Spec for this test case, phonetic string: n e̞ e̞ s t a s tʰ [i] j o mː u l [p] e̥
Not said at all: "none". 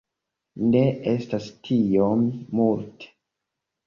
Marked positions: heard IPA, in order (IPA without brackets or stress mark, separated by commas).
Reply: i, t